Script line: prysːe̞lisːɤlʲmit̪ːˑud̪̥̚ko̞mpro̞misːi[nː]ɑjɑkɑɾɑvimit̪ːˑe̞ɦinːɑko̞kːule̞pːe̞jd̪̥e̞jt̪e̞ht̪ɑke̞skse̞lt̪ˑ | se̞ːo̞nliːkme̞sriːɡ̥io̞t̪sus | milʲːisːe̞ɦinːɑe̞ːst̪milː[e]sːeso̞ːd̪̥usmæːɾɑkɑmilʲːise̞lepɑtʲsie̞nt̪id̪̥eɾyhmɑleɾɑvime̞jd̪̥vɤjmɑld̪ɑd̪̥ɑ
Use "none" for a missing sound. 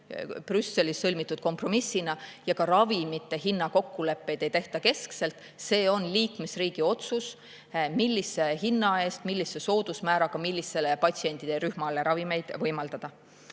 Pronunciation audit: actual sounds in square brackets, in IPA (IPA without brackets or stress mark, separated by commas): n, i